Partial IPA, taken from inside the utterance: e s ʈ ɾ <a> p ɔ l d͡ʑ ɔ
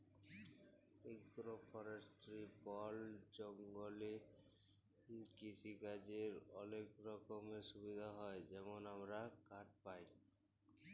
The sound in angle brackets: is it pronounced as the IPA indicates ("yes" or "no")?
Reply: no